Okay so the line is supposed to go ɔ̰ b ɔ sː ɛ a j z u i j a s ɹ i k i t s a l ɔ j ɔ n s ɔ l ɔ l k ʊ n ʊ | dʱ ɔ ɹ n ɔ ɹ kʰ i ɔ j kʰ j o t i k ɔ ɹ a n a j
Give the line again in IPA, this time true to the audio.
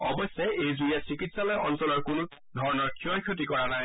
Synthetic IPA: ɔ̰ b ɔ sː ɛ e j z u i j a s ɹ i k i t s a l ɔ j ɔ n s ɔ l ɔ ɹ k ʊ n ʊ | dʱ ɔ ɹ n ɔ ɹ kʰ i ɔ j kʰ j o t i k ɔ ɹ a n a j